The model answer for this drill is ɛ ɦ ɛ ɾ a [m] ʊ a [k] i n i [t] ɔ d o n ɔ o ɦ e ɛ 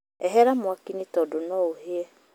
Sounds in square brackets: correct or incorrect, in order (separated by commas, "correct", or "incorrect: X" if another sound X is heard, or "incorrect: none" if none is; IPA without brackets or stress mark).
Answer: correct, correct, correct